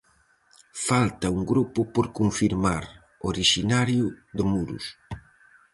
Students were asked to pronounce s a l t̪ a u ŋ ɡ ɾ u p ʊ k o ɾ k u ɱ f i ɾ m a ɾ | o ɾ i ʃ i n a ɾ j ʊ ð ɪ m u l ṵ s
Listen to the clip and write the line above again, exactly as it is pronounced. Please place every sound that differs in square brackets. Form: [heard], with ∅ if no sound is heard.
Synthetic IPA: [f] a l t̪ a u ŋ ɡ ɾ u p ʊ [p] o ɾ k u ɱ f i ɾ m a ɾ | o ɾ i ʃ i n a ɾ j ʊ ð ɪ m u [ɾ] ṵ s